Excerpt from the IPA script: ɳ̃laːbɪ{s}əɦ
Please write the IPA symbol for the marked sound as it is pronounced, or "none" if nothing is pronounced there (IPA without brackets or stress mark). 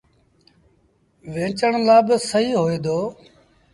s